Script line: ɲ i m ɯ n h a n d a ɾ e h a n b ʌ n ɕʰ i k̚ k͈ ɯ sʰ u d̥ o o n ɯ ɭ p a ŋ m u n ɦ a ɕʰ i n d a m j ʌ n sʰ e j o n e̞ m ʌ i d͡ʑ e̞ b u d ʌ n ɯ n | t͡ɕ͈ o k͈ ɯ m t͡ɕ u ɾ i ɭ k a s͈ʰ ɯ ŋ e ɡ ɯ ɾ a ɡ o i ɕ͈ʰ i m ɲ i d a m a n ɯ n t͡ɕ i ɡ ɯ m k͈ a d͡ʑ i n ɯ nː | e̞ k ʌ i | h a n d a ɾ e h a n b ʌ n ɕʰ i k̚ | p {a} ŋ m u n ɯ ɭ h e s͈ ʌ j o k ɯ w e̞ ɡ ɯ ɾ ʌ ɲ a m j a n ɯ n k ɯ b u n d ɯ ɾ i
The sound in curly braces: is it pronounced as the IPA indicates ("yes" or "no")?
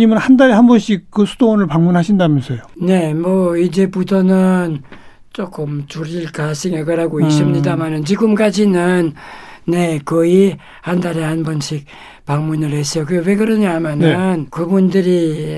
yes